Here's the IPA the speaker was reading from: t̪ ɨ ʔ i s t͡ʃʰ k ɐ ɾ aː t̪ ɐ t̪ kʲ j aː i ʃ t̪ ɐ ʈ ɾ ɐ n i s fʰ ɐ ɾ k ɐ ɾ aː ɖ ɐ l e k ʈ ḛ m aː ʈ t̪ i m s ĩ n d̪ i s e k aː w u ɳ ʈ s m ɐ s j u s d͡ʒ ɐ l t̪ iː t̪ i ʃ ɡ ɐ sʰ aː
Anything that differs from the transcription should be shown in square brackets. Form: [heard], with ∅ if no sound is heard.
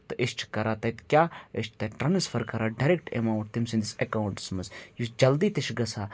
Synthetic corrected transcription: t̪ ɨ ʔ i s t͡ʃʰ k ɐ ɾ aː t̪ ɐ t̪ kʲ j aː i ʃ t̪ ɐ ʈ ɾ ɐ n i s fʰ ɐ ɾ k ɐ ɾ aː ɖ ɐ [ɾ] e k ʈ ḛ m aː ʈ t̪ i m s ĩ n d̪ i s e k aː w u ɳ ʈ s m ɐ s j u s d͡ʒ ɐ l [d̪] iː t̪ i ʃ ɡ ɐ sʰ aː